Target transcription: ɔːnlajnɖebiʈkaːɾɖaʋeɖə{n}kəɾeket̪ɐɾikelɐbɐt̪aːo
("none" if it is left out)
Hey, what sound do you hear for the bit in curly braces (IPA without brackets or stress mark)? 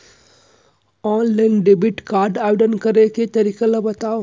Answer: n